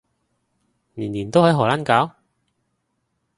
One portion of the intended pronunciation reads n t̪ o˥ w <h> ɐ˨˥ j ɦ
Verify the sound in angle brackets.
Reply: correct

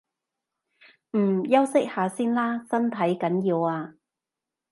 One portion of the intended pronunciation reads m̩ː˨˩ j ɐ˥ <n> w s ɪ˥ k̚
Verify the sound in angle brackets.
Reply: incorrect: none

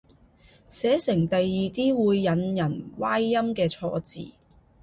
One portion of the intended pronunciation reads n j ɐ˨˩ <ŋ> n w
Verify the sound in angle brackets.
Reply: incorrect: none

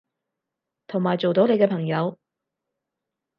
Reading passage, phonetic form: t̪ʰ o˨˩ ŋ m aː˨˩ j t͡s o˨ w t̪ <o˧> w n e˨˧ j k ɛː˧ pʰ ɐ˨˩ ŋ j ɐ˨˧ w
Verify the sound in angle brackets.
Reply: incorrect: o˨˥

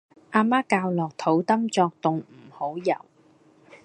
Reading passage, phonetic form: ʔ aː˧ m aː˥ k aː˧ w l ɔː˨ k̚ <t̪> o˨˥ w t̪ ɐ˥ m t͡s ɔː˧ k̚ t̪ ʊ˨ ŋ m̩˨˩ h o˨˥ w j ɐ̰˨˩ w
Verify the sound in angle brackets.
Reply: incorrect: t̪ʰ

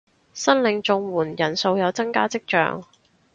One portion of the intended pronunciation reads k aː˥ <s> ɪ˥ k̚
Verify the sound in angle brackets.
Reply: incorrect: t͡s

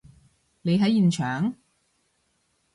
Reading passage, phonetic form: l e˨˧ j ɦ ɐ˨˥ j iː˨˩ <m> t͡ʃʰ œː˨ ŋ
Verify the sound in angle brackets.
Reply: incorrect: n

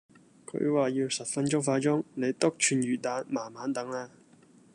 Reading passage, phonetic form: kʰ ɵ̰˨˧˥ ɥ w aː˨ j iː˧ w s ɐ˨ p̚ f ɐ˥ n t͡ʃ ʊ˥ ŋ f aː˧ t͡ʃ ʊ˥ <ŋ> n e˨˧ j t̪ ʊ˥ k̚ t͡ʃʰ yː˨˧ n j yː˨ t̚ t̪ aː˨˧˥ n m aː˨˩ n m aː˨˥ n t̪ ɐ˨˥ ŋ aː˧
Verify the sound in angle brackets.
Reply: correct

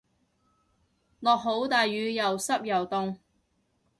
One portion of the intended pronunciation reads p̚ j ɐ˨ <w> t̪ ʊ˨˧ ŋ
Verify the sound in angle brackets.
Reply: correct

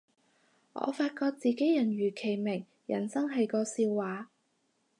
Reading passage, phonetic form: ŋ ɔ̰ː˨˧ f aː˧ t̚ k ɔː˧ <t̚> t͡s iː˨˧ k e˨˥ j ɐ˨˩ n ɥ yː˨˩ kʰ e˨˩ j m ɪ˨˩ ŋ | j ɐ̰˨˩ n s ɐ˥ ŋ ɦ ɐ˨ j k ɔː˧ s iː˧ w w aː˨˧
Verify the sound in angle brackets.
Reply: incorrect: k̚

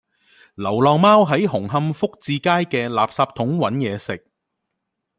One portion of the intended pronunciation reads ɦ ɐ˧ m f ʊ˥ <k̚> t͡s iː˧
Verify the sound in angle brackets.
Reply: correct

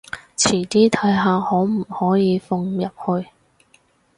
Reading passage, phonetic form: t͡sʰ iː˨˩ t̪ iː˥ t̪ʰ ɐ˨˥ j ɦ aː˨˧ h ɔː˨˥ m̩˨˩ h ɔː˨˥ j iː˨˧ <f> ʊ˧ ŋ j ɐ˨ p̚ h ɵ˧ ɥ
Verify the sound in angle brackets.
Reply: correct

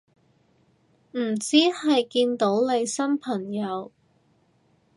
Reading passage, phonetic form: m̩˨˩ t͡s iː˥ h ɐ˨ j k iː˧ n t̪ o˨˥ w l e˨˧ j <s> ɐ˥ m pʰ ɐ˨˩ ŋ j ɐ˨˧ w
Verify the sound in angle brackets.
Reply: correct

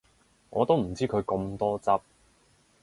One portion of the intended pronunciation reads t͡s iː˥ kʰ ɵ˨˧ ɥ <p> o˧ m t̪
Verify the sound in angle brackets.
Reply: incorrect: k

